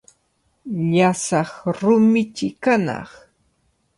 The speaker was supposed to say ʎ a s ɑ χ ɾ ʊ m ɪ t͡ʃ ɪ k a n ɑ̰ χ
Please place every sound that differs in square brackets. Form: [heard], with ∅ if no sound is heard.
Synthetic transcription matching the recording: ʎ a s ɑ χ ɾ ʊ m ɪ t͡ʃ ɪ k a n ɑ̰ χ